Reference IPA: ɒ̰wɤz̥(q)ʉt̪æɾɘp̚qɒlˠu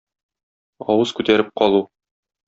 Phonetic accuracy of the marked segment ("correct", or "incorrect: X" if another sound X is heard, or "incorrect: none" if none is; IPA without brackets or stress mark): incorrect: k